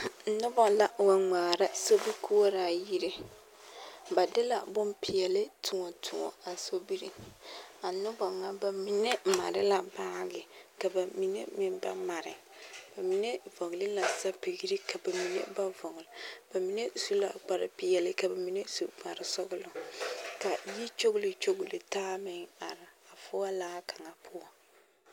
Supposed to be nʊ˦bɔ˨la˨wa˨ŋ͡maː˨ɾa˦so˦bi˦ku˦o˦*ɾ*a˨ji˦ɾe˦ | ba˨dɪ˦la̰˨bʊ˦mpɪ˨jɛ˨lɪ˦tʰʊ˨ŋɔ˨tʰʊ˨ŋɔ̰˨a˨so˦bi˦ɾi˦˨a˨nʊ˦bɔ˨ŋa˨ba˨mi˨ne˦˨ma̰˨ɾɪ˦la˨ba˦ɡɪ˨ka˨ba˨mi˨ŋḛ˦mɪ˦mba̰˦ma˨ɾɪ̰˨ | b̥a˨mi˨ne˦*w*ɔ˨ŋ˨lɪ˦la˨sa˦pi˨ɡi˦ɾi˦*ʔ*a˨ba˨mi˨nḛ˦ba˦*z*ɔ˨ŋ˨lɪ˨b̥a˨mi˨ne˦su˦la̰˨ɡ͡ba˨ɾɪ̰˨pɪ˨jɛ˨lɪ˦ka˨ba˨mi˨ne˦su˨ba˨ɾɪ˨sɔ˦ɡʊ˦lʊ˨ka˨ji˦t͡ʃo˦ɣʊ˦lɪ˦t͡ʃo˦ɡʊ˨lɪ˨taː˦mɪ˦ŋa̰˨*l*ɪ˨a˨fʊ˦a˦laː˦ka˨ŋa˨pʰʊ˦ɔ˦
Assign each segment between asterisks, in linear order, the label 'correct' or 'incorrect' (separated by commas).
correct, incorrect, incorrect, incorrect, incorrect